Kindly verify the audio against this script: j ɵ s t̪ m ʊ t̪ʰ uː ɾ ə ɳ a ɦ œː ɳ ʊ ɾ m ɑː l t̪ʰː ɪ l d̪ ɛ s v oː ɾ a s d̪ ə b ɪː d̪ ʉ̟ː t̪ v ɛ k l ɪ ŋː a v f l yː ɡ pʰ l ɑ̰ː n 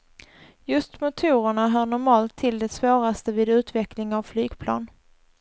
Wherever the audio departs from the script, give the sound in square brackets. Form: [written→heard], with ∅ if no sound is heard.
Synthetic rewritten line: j ɵ s t̪ m ʊ t̪ʰ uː ɾ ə ɳ a ɦ œː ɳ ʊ ɾ m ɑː l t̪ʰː ɪ l d̪ ɛ s v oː ɾ a s [d̪→t̪] ə [b→v] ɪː d̪ ʉ̟ː t̪ v ɛ k l ɪ [ŋː→ŋ] a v f l yː ɡ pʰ l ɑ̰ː n